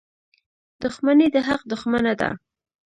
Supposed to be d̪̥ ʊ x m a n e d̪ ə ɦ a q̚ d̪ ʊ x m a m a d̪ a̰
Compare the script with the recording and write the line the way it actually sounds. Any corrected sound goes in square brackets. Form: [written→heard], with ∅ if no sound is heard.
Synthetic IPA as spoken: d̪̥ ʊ x m a n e d̪ ə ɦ a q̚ d̪ ʊ x m a [m→n] a d̪ a̰